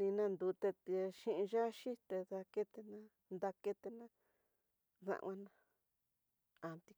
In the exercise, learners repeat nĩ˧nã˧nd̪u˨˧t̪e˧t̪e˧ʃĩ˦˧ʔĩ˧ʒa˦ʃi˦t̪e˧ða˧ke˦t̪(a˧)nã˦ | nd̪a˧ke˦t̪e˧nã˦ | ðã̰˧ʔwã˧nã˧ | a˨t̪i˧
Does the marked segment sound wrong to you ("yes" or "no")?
yes